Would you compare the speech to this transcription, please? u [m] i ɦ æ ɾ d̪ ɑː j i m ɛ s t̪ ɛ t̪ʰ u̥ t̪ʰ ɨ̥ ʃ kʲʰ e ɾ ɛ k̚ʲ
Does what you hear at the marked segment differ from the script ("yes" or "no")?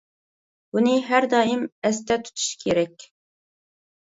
yes